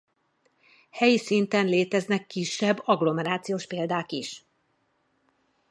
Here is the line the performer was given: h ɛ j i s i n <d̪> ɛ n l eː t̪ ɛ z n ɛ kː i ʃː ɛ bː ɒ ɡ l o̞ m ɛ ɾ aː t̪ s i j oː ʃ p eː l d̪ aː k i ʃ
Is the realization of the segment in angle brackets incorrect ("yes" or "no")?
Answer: yes